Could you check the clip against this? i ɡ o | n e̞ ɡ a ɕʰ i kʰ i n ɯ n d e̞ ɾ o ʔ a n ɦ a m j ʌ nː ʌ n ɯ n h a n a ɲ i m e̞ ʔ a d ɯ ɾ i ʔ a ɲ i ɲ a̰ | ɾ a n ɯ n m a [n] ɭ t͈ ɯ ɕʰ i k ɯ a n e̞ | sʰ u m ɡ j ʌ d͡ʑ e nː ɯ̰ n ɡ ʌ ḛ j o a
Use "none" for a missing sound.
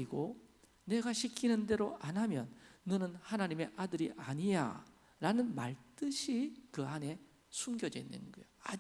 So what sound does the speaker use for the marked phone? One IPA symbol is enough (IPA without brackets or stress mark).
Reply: none